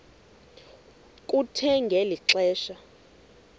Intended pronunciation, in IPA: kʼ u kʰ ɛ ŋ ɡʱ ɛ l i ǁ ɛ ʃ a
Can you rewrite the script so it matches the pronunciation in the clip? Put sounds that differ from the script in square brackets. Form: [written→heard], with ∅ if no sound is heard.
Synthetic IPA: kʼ u [kʰ→tʰ] ɛ ŋ ɡʱ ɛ l i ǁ [ɛ→ɛː] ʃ a